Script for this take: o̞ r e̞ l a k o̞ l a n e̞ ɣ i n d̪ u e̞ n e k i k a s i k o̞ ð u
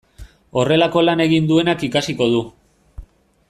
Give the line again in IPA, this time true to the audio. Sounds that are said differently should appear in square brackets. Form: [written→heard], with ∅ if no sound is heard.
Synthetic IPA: o̞ r e̞ l a k o̞ l a n e̞ ɣ i n d̪ u e̞ n [e→a] k i k a s i k o̞ ð u